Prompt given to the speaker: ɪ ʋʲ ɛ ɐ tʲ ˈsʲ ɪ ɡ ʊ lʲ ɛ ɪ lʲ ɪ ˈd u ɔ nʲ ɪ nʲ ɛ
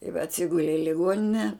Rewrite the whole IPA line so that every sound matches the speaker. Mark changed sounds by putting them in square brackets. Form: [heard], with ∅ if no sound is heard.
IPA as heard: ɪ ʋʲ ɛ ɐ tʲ ˈsʲ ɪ ɡ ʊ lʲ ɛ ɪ lʲ ɪ [ˈɡ] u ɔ nʲ ɪ nʲ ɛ